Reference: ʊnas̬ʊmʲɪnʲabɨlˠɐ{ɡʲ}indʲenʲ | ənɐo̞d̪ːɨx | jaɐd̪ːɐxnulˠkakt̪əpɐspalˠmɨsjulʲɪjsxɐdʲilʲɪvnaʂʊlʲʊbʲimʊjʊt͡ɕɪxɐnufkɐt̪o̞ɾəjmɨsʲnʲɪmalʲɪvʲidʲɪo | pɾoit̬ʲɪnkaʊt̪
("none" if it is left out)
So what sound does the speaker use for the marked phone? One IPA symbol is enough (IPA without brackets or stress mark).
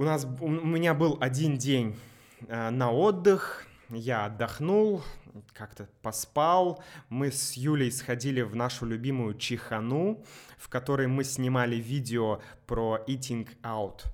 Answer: dʲ